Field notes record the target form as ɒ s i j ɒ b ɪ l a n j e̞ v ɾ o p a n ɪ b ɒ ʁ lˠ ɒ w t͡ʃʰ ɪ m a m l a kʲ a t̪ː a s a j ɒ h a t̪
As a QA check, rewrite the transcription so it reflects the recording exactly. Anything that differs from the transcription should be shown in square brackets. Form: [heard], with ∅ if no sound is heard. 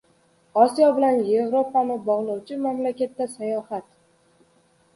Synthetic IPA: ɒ s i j ɒ b ɪ l a n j e̞ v ɾ o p a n ɪ b ɒ ʁ lˠ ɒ w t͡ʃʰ ɪ m a m l a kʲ a t̪ː a s a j ɒ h a t̪